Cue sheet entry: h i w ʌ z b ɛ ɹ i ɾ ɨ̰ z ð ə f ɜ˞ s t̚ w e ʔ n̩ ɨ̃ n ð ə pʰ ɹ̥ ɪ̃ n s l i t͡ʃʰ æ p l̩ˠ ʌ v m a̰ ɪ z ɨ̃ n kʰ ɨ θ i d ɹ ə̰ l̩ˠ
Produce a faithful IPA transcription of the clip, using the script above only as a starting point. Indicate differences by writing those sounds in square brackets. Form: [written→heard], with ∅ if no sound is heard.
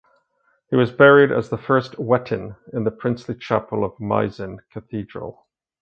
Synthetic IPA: h i w ʌ z b ɛ ɹ i ɾ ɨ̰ z ð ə f ɜ˞ s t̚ w [e→ɛ] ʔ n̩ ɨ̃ n ð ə pʰ ɹ̥ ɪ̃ n s l i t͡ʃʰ æ p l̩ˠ ʌ v m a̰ ɪ z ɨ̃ n kʰ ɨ θ i d ɹ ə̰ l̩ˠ